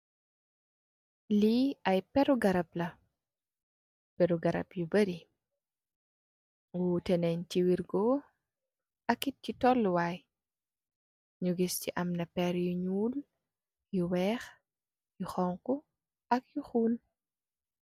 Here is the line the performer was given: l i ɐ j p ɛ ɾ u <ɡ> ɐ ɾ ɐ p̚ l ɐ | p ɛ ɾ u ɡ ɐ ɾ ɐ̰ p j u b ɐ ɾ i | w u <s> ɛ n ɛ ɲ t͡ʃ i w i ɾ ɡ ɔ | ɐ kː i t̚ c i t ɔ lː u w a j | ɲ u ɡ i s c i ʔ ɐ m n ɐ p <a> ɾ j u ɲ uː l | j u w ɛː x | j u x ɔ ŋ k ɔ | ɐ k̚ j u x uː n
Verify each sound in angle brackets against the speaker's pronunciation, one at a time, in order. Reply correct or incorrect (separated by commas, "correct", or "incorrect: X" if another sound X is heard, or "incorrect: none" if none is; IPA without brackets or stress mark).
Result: correct, incorrect: t, incorrect: ɛ